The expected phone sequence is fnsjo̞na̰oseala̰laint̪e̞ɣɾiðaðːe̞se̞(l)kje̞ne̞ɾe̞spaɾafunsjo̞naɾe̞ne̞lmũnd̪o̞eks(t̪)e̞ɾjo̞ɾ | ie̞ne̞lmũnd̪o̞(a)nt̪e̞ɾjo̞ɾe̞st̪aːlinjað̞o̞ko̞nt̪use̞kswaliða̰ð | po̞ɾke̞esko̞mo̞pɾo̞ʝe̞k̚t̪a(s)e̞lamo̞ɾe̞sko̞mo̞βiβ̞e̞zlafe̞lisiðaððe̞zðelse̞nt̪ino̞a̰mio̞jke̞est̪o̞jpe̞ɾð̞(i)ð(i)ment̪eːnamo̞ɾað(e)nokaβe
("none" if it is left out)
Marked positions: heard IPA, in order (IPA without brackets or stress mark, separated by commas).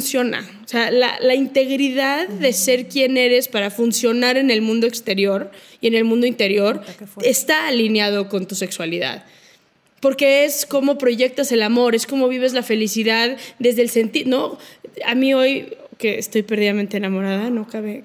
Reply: ɾ, t̪, i, s, i, a, a